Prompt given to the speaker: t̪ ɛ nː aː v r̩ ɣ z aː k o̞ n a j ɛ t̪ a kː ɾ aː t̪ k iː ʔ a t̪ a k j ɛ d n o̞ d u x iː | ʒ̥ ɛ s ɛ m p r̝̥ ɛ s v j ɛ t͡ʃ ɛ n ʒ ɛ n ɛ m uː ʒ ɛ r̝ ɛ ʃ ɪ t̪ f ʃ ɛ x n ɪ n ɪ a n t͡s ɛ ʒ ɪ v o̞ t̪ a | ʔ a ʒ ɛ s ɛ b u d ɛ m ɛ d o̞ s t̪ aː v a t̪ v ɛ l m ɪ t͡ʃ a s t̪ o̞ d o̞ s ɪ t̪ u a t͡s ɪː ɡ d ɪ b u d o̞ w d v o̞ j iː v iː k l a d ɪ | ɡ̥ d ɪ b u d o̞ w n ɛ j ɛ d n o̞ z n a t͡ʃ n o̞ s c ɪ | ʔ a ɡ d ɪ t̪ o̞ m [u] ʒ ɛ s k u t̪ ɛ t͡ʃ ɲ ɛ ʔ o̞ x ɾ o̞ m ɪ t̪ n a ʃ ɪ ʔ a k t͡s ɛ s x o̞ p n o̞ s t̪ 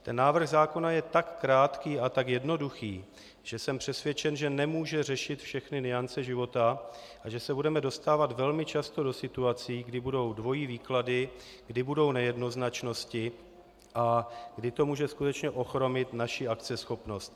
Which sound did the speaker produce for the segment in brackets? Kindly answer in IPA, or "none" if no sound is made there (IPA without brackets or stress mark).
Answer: uː